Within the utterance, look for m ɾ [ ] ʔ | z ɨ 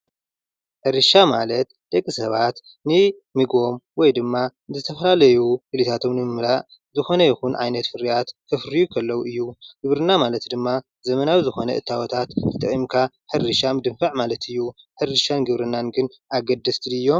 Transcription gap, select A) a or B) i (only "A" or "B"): A